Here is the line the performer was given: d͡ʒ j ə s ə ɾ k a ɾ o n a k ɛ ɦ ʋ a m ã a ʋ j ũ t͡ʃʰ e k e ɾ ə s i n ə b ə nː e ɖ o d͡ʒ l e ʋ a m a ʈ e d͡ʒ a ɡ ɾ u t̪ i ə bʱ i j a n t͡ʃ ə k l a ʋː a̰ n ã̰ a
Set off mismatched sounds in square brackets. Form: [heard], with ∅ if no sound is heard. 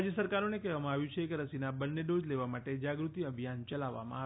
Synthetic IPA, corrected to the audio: d͡ʒ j ə s ə ɾ k a ɾ o n [e] k ɛ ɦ ʋ a m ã a ʋ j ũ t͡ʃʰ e k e ɾ ə s i n [a] b ə nː e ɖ o d͡ʒ l e ʋ a m a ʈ e d͡ʒ a ɡ ɾ u t̪ i ə bʱ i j a n t͡ʃ ə [∅] l a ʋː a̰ [m] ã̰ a